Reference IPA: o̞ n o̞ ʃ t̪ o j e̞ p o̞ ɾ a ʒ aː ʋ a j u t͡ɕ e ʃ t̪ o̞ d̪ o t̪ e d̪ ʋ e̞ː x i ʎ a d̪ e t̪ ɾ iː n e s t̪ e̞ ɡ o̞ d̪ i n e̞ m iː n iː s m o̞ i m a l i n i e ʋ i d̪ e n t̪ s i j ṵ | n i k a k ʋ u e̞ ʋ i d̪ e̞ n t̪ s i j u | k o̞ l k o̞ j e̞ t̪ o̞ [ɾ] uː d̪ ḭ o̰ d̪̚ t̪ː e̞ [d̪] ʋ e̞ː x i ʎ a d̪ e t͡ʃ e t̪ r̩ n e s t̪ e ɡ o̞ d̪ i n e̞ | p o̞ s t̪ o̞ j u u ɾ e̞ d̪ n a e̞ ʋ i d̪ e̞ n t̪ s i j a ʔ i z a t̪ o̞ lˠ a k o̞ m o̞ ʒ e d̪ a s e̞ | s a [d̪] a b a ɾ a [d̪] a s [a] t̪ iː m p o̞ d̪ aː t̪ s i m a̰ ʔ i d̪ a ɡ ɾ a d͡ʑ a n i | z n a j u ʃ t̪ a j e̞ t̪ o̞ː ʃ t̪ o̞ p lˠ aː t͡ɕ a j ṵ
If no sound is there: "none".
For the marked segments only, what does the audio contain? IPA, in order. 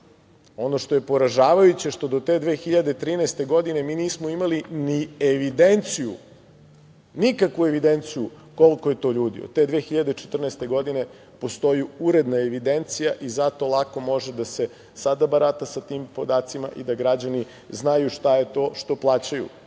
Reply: ʎ, d̪, d̪, t̪, a

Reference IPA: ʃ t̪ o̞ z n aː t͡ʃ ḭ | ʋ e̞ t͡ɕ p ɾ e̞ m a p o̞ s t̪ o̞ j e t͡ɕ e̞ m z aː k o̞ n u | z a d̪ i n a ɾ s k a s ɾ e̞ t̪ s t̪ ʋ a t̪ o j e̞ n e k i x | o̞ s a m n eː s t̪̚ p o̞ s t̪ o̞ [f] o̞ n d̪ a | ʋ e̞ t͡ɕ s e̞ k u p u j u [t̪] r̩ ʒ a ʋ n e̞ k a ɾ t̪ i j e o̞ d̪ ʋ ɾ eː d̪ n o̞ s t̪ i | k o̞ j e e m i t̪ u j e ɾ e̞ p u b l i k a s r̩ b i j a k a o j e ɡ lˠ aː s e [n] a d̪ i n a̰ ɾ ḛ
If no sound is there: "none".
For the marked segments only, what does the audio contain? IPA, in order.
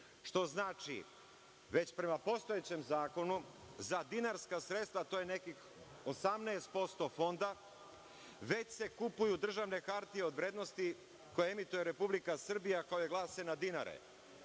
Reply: f, d̪, n

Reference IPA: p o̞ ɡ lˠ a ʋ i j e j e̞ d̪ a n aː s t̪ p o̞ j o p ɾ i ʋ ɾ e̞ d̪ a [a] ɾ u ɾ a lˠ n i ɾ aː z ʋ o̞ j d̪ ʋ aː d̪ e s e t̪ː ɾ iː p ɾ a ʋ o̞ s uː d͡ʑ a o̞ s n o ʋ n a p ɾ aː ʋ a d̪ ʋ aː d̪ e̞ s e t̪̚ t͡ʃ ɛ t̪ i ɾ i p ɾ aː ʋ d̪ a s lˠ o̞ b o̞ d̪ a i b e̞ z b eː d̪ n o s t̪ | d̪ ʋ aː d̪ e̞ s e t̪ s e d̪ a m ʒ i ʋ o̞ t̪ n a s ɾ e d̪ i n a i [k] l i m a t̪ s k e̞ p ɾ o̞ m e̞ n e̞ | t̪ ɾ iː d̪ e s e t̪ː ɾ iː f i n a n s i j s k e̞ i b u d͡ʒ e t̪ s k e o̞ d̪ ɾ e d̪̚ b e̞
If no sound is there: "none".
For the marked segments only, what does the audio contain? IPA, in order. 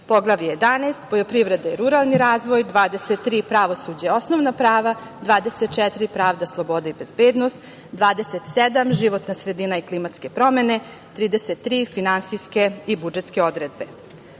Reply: i, k

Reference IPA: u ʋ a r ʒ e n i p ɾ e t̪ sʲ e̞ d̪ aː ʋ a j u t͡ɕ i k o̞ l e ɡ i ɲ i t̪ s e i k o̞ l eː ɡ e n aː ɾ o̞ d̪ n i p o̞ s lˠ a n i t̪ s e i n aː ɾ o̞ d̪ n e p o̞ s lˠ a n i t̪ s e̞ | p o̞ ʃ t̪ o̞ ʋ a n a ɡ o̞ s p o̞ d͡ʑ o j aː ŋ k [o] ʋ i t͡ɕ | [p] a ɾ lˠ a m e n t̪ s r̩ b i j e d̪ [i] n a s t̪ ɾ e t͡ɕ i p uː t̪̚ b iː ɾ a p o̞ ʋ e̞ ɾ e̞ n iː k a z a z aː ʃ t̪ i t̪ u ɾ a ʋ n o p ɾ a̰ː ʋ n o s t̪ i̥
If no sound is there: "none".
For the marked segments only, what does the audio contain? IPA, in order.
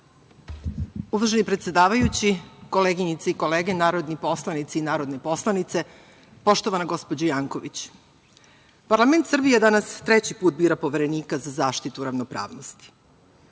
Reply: o, p, a

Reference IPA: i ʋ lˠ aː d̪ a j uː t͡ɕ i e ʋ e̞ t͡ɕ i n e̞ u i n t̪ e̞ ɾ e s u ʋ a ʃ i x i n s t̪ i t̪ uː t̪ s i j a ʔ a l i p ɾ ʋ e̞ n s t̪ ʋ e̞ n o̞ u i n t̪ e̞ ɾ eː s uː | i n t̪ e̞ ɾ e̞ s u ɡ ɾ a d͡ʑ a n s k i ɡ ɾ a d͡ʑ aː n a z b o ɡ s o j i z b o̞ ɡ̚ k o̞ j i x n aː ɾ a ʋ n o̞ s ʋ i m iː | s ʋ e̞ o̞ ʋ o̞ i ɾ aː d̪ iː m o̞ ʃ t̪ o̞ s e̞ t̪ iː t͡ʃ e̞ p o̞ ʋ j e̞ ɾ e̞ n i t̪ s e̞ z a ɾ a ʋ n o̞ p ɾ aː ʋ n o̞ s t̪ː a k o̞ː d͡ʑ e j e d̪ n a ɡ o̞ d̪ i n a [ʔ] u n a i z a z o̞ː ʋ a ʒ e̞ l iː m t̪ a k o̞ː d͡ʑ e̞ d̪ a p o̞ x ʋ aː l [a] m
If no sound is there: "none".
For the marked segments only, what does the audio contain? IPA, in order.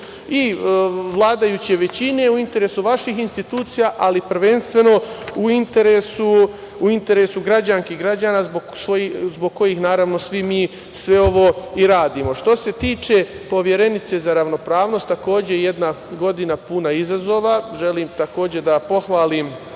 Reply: p, i

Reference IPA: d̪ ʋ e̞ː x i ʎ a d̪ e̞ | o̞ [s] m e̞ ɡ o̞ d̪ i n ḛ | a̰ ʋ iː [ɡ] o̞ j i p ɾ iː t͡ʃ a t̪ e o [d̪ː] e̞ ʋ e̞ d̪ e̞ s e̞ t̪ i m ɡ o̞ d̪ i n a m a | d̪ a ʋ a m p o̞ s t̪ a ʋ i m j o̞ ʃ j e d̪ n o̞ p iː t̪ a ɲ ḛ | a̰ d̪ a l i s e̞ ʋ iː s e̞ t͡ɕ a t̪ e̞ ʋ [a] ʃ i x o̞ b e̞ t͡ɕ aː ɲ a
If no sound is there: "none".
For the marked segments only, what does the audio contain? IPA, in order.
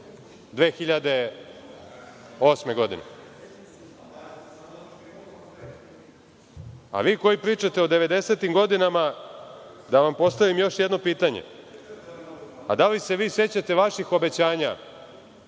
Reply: s, k, d̪, a

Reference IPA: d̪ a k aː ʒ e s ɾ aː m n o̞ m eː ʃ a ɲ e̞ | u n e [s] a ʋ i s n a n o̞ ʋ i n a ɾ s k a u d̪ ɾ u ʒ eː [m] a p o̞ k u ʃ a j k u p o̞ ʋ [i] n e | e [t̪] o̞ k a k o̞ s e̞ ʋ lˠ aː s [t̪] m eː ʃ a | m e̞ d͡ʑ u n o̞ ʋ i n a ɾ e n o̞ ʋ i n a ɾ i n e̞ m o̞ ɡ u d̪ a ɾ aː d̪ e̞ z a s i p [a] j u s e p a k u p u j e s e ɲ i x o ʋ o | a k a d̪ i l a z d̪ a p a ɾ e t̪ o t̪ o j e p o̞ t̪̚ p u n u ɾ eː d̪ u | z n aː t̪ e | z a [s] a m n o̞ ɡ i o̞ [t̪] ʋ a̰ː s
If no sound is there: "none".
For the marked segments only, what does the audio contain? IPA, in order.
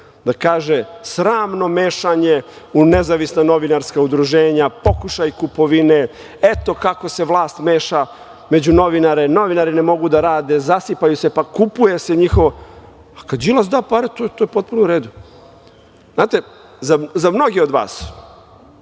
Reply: z, ɲ, i, t̪, t̪, a, z, d̪

